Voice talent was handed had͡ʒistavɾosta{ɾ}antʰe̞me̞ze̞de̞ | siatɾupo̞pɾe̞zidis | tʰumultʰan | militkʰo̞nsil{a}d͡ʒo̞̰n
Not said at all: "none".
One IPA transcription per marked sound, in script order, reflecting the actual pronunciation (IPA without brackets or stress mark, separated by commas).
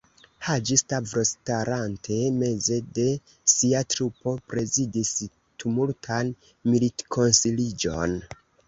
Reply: ɾ, i